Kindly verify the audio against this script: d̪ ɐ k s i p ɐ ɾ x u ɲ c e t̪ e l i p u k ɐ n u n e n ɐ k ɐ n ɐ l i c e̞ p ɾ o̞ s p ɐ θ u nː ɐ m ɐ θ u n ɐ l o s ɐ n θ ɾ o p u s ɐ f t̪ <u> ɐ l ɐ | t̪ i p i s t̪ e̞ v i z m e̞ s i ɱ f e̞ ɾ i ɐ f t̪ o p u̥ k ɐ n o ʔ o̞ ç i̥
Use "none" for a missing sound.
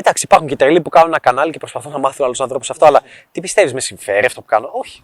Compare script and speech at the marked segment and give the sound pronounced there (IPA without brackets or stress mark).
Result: o